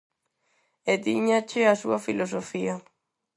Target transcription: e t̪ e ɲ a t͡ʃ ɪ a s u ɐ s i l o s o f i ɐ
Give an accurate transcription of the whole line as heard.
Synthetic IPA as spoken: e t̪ i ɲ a t͡ʃ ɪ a s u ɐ f i l o s o f i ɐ